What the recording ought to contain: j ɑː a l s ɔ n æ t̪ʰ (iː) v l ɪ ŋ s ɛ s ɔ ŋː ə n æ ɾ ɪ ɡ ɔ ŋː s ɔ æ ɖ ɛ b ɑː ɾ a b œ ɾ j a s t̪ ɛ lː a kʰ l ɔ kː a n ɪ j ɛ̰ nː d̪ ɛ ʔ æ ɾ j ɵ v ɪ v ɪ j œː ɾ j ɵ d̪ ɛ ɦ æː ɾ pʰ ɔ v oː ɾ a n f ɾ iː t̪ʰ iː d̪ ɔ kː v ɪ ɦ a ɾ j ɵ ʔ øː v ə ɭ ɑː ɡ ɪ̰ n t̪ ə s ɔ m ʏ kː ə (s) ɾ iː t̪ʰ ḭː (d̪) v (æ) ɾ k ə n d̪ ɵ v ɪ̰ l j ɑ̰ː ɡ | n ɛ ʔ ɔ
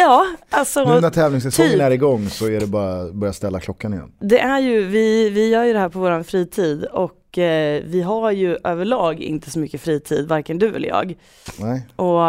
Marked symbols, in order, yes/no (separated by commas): no, no, yes, no